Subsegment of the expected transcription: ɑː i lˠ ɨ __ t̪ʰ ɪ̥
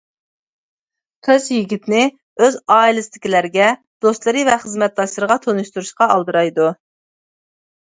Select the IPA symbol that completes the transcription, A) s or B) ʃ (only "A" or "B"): A